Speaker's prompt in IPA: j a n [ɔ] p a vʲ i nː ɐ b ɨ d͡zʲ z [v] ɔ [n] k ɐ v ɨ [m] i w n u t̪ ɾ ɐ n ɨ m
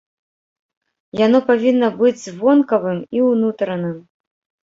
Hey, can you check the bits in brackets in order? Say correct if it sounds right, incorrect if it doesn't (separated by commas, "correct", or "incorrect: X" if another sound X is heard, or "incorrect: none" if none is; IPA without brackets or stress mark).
correct, correct, correct, correct